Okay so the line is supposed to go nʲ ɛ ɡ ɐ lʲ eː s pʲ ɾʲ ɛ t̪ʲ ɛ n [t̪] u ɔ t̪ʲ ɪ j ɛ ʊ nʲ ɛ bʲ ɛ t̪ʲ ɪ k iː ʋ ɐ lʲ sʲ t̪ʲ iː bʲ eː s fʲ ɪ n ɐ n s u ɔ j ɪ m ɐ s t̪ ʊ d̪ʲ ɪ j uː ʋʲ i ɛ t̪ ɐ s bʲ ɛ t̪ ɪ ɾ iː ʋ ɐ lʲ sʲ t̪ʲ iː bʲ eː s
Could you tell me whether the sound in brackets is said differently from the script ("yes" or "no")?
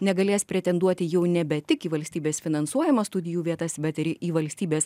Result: yes